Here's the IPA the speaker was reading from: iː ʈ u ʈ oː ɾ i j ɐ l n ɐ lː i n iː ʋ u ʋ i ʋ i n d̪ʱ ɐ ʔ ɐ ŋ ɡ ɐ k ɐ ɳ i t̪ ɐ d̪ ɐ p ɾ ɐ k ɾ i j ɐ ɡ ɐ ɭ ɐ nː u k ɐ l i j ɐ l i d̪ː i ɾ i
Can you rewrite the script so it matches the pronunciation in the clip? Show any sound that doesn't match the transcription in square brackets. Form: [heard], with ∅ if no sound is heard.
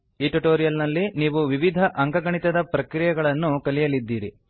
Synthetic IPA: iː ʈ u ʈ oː ɾ i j ɐ l n ɐ lː i n iː ʋ u ʋ i ʋ i [∅] d̪ʱ ɐ ʔ ɐ ŋ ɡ ɐ [ɡ] ɐ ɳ i t̪ ɐ d̪ ɐ p ɾ ɐ k ɾ i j ɐ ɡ ɐ ɭ ɐ nː u k ɐ l i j ɐ l i d̪ː [iː] ɾ i